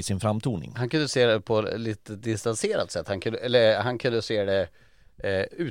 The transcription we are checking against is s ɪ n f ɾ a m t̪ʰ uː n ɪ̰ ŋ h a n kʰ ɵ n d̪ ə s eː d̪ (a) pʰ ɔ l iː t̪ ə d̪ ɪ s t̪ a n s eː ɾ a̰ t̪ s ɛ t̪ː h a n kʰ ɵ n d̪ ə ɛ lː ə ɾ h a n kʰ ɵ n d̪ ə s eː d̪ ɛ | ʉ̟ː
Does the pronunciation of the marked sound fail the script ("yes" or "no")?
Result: yes